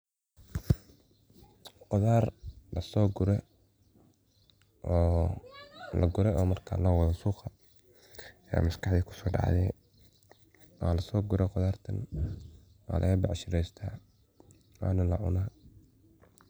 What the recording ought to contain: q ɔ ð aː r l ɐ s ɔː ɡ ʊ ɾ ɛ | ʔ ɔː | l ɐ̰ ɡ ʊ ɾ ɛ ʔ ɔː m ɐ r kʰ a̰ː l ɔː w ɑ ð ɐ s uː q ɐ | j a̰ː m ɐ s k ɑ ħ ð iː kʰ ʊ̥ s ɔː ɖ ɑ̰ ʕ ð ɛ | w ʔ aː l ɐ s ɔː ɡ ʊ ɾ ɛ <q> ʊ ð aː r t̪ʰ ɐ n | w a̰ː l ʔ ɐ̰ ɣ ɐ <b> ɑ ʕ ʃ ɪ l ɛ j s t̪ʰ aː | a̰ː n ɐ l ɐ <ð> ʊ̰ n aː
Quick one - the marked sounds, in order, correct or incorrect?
correct, correct, incorrect: ʕ

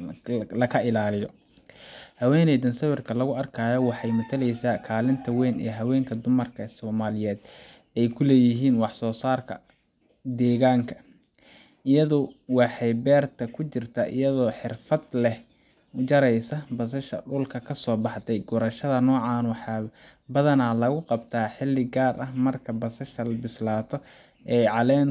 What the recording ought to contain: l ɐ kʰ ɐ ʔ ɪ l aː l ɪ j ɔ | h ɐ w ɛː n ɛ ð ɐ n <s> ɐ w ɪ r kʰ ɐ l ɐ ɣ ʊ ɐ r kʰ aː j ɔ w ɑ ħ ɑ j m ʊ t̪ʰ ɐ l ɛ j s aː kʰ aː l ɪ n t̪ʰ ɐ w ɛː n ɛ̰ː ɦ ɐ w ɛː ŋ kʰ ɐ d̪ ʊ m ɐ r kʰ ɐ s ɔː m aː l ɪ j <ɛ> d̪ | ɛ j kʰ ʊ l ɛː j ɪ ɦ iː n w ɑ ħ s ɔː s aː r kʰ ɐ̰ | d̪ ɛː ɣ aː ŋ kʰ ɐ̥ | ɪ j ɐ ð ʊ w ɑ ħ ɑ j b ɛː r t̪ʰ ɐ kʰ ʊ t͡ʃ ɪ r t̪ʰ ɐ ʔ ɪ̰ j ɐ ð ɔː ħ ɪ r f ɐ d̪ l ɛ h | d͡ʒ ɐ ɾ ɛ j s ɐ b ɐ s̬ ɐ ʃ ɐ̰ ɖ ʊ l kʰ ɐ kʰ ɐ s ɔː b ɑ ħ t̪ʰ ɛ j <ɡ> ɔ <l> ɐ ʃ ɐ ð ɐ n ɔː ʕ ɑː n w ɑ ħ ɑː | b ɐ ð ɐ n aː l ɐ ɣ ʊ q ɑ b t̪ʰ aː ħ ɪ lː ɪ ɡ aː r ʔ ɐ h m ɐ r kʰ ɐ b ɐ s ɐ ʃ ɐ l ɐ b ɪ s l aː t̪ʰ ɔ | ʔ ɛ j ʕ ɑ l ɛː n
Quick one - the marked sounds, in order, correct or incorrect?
correct, incorrect: ɛː, correct, incorrect: ɾ

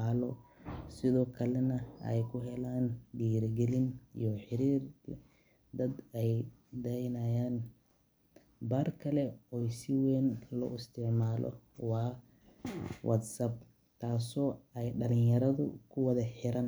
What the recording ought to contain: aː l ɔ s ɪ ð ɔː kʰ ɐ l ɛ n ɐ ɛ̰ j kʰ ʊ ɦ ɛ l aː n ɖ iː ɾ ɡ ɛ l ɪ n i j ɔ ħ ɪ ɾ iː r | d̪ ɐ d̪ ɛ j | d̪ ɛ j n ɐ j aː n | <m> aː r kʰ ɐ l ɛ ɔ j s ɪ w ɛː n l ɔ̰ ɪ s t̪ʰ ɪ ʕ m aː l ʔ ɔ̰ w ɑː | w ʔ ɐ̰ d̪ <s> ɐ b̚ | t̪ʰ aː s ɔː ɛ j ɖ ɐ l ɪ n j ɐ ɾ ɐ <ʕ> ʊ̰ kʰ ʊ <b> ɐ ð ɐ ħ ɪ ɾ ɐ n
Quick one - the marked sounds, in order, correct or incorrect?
incorrect: b, correct, incorrect: ð, incorrect: w

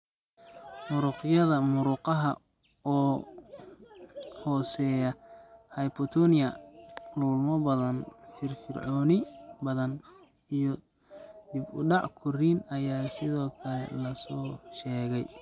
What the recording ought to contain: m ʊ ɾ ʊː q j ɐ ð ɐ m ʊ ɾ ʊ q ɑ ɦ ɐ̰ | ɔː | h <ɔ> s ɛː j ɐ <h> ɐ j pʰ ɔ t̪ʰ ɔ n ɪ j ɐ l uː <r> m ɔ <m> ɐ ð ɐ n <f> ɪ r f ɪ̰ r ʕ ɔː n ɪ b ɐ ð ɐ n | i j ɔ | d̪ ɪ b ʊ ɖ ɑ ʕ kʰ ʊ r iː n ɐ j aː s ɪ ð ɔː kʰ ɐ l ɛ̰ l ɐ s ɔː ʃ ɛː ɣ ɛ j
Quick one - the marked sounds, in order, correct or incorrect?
incorrect: ɔː, correct, incorrect: l, incorrect: b, correct

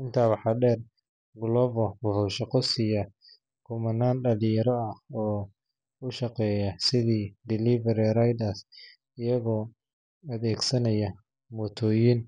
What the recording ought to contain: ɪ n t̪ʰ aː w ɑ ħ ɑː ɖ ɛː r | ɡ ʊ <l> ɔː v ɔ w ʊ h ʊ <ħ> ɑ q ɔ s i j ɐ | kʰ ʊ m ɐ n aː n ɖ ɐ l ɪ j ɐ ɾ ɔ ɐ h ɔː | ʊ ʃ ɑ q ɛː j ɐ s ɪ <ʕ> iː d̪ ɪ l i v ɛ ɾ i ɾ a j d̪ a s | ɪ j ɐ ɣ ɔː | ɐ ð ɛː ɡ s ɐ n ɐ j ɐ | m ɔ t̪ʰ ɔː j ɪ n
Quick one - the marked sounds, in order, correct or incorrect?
correct, incorrect: ʃ, incorrect: ð

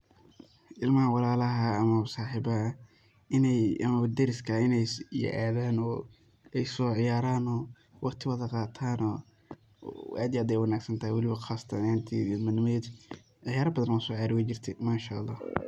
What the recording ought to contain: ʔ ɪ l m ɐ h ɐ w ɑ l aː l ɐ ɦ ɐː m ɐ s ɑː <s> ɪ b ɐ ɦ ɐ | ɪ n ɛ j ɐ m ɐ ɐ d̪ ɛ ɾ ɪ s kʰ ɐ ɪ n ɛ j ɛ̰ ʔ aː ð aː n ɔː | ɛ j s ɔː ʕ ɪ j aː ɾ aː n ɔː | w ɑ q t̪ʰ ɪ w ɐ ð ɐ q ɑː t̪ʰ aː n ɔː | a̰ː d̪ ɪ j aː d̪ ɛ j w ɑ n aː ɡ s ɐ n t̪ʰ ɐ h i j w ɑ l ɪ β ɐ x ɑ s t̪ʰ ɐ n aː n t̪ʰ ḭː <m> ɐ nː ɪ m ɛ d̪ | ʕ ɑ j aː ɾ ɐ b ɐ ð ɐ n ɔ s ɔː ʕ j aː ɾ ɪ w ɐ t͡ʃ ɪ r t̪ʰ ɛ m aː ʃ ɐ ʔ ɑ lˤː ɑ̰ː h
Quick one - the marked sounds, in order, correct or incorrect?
incorrect: ħ, correct

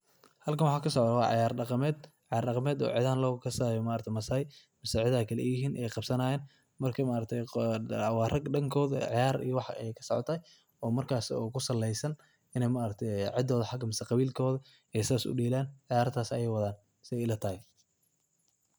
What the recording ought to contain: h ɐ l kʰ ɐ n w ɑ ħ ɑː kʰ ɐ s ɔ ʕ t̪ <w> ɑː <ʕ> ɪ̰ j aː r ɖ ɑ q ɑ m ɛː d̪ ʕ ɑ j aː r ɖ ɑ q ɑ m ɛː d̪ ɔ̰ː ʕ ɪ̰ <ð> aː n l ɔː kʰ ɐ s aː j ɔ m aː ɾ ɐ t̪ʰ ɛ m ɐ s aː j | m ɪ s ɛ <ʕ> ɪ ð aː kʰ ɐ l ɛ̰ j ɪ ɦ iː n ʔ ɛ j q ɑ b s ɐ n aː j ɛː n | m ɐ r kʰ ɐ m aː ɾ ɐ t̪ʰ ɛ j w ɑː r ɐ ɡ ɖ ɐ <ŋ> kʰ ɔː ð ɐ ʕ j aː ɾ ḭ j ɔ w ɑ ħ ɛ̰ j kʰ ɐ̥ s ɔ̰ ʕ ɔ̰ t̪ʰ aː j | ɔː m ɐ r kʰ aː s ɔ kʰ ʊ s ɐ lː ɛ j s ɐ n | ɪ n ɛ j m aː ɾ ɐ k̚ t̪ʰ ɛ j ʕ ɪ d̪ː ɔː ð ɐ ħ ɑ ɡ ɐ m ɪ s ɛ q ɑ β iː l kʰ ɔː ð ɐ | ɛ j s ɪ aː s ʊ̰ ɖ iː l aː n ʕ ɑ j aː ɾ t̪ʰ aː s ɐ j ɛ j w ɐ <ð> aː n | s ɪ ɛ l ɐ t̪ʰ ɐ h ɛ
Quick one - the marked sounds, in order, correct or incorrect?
correct, correct, correct, correct, correct, correct

